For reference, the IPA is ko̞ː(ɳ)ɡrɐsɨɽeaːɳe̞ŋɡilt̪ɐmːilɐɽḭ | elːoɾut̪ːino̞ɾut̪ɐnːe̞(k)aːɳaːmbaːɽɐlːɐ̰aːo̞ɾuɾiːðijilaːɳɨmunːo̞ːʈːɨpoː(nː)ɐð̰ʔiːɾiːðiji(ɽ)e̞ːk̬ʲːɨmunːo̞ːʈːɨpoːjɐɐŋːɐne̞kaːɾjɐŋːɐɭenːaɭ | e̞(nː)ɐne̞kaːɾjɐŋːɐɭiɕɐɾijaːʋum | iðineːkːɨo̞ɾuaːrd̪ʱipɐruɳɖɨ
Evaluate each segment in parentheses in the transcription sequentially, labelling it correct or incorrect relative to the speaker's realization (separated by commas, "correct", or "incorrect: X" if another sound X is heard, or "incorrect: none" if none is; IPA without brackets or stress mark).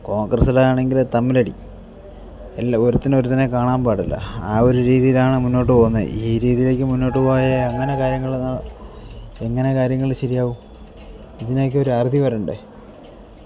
incorrect: ŋ, correct, correct, incorrect: l, incorrect: ŋː